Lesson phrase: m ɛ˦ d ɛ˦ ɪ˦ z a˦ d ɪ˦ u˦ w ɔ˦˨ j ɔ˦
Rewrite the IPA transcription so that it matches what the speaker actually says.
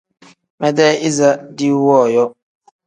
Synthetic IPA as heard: m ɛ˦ d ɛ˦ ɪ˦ z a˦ d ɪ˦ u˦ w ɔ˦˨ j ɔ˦

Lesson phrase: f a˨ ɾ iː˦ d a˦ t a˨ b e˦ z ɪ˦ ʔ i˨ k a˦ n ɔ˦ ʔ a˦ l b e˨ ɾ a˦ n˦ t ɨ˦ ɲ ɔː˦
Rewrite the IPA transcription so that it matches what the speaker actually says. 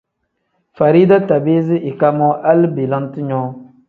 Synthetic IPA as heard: f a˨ ɾ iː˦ d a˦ t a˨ b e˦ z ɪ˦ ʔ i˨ k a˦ m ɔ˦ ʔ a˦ l b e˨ l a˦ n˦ t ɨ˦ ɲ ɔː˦

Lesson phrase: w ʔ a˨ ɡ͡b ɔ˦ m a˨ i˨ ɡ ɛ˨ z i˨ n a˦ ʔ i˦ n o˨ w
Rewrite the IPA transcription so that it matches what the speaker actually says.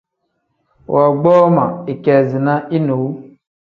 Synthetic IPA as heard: w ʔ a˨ ɡ͡b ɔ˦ m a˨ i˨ k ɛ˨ z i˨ n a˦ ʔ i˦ n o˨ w

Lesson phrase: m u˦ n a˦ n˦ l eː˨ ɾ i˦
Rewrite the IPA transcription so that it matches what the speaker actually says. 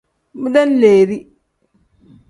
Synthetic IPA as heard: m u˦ d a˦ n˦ l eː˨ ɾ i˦

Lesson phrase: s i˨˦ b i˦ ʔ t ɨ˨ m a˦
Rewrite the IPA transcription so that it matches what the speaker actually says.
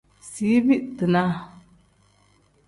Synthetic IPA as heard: s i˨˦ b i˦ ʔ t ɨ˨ n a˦

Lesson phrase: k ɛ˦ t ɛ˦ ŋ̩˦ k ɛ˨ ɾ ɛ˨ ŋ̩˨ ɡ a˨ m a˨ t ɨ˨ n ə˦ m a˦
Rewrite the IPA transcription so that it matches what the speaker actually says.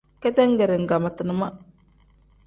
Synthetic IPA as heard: k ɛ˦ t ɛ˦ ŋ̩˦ ɡ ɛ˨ ɾ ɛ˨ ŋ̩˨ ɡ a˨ m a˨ t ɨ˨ n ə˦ m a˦

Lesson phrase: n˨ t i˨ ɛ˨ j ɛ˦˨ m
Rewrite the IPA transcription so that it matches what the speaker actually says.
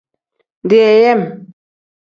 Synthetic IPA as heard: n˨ d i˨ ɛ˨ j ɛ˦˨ m

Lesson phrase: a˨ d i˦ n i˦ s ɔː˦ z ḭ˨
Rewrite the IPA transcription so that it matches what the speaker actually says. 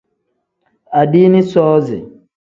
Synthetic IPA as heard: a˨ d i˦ n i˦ s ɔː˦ z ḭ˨

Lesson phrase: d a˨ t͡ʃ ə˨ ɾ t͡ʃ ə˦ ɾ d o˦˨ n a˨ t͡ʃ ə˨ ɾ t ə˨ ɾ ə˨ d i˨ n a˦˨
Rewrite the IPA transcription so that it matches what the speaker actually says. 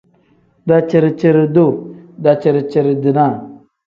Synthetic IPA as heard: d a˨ t͡ʃ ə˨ ɾ t͡ʃ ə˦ ɾ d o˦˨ d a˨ t͡ʃ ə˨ ɾ t͡ʃ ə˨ ɾ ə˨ d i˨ n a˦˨

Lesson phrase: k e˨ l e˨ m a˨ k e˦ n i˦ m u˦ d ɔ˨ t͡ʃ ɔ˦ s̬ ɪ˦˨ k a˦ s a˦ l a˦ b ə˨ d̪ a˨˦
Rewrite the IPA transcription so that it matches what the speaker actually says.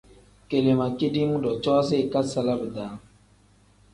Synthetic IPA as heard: k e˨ l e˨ m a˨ k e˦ d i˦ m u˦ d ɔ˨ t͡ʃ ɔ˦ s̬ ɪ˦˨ k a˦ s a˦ l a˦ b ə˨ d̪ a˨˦

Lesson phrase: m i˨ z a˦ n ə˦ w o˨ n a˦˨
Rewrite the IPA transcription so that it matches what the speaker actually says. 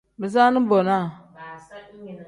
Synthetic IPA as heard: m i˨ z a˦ n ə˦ b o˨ n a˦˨

